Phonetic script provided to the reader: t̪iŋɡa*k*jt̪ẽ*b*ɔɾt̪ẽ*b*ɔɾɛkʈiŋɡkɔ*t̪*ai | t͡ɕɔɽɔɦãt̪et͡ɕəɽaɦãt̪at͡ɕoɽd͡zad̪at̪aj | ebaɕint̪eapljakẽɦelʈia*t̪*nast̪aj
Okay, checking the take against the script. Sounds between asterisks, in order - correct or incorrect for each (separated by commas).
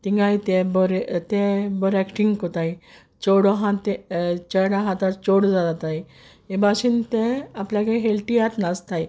incorrect, correct, correct, correct, correct